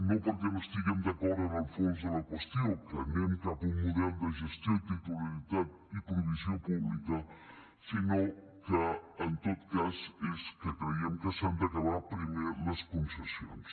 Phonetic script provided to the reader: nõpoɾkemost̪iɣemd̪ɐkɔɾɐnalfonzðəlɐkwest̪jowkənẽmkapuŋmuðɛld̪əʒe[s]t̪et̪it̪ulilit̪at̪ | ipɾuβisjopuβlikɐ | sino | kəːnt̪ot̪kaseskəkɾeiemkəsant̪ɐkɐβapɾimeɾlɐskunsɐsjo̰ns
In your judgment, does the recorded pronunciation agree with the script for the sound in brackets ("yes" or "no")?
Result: yes